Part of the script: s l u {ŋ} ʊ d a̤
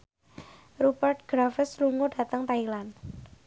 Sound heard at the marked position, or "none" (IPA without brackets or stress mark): ŋ